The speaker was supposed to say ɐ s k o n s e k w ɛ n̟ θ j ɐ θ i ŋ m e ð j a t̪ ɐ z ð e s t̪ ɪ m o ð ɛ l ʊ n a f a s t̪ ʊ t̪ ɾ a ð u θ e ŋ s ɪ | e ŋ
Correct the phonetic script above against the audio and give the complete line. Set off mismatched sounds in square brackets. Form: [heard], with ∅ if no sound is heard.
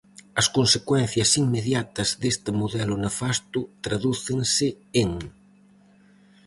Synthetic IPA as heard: ɐ s k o n s e k w ɛ n̟ θ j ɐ [s] i ŋ m e ð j a t̪ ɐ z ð e s t̪ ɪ m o ð ɛ l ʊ n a f a s t̪ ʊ t̪ ɾ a ð u θ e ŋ s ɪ | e ŋ